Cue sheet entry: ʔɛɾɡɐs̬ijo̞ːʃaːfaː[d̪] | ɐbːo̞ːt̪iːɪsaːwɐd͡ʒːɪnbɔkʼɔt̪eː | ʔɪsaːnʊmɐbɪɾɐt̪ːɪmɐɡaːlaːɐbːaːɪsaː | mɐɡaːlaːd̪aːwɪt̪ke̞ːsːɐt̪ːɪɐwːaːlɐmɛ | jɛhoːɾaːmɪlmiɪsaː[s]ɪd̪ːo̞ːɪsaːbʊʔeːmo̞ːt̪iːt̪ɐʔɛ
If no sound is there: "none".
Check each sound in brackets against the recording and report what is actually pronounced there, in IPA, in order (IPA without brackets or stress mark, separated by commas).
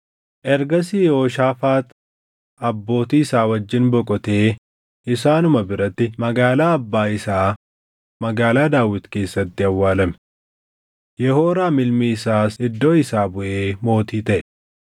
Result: t̪, s